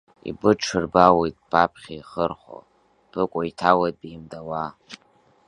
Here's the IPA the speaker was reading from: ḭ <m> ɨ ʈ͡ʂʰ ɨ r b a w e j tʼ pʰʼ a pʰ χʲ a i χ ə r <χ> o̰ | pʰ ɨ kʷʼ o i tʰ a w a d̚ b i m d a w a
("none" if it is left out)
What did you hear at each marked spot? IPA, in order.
b, χ

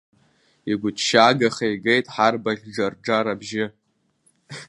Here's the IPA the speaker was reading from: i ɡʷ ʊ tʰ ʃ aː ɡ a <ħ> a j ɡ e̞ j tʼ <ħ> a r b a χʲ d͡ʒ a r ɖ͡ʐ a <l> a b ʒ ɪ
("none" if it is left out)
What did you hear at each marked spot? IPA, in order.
χ, ħ, ɾ

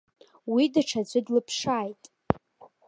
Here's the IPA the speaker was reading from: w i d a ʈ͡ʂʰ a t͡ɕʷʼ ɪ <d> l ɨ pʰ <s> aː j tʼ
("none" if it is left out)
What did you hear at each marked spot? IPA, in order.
d, ʂ

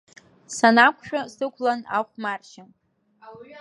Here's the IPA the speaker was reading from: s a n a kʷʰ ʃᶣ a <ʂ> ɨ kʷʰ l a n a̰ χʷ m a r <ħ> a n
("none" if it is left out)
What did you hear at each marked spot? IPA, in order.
s, ʃ

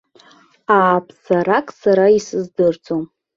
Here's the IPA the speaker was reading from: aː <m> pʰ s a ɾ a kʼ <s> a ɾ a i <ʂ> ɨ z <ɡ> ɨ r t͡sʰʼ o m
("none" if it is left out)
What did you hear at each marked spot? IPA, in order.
none, s, s, d

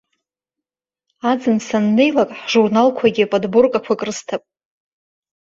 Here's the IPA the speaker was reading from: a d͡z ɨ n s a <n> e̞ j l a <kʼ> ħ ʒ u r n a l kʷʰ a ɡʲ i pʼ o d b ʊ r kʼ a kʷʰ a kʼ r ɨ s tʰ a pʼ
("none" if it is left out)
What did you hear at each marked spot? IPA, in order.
nː, kʼ

